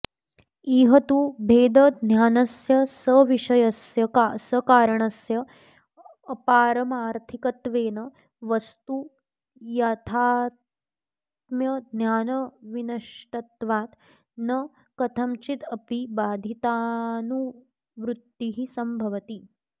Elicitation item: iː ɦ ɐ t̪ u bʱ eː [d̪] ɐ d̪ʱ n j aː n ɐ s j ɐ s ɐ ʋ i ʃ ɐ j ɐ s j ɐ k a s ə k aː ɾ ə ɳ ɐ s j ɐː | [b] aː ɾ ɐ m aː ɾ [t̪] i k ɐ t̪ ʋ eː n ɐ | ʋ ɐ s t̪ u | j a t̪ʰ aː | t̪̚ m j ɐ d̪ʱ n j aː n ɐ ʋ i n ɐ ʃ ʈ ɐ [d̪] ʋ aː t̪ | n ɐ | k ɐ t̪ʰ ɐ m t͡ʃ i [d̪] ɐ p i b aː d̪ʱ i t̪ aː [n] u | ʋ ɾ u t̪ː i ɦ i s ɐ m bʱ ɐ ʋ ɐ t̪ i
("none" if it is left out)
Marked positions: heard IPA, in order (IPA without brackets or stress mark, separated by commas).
d̪, p, t̪ʰ, t̪, t̪, n